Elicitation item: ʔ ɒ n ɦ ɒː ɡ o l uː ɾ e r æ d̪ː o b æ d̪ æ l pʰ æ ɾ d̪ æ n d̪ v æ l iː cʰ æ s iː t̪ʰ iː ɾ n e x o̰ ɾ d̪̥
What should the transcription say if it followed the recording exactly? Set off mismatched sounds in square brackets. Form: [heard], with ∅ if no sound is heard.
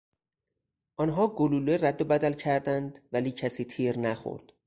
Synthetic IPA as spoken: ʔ ɒ n ɦ ɒː ɡ o l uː [l] e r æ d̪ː o b æ d̪ æ l [cʰ] æ ɾ d̪ æ n d̪ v æ l iː cʰ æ s iː t̪ʰ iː ɾ n [æ] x o̰ ɾ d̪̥